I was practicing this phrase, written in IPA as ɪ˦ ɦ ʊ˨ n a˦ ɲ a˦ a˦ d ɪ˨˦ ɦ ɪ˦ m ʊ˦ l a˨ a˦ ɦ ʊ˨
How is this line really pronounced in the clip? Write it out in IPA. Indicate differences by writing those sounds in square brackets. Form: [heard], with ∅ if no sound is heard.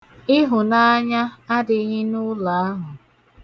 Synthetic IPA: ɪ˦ ɦ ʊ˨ n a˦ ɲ a˦ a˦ d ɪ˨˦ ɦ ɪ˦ [n] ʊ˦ l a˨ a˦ ɦ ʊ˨